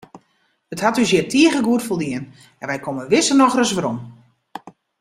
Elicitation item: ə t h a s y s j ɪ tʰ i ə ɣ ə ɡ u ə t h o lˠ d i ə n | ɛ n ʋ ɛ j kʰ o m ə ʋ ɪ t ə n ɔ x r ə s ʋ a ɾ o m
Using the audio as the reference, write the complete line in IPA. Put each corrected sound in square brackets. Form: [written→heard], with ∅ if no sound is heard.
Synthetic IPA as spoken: ə t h a [s→t] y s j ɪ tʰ i ə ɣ ə ɡ u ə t [h→f] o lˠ d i ə n | ɛ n ʋ ɛ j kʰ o m ə ʋ ɪ [t→s] ə n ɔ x r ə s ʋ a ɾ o m

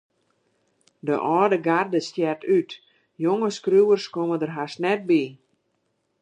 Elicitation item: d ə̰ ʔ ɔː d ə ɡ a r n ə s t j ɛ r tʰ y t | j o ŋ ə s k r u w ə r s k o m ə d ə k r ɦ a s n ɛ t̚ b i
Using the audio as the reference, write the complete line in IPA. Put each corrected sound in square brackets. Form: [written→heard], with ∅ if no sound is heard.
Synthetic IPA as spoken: d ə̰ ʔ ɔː d ə ɡ a r [n→d] ə s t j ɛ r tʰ y t | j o ŋ ə s k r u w ə r s k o m ə d ə [k→∅] r ɦ a s n ɛ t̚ b i

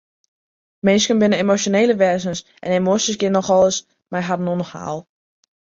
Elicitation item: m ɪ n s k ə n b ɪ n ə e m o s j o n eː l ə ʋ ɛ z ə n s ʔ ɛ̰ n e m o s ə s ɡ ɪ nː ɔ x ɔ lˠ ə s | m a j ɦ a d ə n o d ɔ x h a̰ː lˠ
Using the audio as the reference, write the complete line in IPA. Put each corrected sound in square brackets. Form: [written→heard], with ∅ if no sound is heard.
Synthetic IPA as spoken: m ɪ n s k ə n b ɪ n ə e m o s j o n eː l ə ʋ ɛ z ə n s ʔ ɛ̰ n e m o s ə s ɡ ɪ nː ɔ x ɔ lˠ ə s | m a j ɦ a d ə n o [d→n] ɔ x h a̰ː lˠ

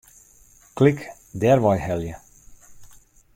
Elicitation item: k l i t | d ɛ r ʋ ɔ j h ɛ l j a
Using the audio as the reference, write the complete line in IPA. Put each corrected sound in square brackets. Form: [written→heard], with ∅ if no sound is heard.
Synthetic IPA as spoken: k l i [t→k] | d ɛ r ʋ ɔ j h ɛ l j [a→ə]

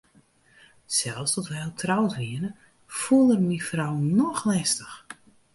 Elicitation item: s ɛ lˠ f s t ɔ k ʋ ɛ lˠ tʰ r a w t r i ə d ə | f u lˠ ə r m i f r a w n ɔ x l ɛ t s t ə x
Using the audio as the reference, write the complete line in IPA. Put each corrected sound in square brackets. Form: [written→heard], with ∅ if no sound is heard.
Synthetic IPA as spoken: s ɛ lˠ f s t ɔ [k→t] ʋ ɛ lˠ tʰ r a w t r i ə [d→n] ə | f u lˠ ə r m i f r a w n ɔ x l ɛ [t→∅] s t ə x

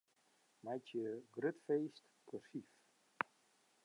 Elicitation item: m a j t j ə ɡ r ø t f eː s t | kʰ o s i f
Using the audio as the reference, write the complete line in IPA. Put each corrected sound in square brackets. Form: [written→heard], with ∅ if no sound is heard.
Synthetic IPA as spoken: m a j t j ə ɡ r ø t f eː s t | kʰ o s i f

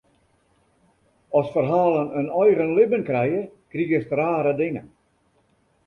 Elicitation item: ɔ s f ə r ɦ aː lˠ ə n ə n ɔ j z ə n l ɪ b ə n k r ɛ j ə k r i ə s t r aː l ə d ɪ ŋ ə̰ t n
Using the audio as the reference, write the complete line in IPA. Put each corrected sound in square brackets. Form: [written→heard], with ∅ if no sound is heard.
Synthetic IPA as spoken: ɔ s f ə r ɦ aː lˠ ə n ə n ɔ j [z→ɣ] ə n l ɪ b ə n k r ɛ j ə k r i ə s t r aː [l→ɾ] ə d ɪ ŋ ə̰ [t→∅] n

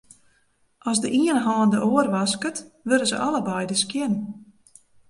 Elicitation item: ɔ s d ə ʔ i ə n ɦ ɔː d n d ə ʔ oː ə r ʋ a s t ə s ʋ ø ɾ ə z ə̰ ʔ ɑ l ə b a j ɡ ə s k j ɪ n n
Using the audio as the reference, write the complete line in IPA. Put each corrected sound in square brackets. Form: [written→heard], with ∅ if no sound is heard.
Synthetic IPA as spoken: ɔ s d ə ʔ i ə n ɦ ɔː [d→∅] n d ə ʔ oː ə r ʋ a s [t→k] ə [s→t] ʋ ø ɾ ə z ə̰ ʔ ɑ l ə b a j [ɡ→d] ə s k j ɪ n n

